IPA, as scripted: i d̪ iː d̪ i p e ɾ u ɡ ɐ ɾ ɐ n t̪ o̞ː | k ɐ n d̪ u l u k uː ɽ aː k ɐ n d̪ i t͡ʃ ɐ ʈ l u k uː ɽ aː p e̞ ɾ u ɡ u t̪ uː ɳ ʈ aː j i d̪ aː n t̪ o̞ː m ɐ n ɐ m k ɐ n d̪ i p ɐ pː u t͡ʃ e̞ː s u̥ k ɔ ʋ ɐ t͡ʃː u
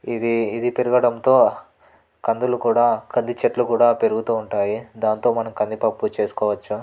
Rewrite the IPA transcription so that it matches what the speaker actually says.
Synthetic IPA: i d̪ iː d̪ i p e ɾ u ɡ ɐ ɽ ɐ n t̪ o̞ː | k ɐ n d̪ u l u k uː ɽ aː k ɐ n d̪ i t͡ʃ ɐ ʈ l u k uː ɽ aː p e̞ ɾ u ɡ u t̪ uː ɳ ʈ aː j i d̪ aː n t̪ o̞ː m ɐ n ɐ m k ɐ n d̪ i p ɐ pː u t͡ʃ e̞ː s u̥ k ɔː ʋ ɐ t͡ʃː u